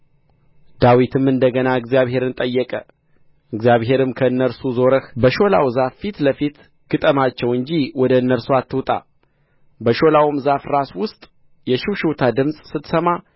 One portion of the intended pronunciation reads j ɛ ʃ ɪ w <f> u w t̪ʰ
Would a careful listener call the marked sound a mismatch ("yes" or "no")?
yes